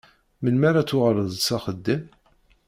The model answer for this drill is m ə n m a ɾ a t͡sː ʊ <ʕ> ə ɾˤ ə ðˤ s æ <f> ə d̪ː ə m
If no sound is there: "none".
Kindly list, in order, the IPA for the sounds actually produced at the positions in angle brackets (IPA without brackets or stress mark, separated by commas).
ʁ, χ